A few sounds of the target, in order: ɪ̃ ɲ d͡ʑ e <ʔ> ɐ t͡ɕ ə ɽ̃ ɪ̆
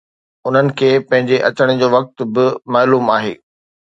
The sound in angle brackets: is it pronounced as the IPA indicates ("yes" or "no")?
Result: yes